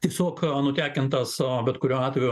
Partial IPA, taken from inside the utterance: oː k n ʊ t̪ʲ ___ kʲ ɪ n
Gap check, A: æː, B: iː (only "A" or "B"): A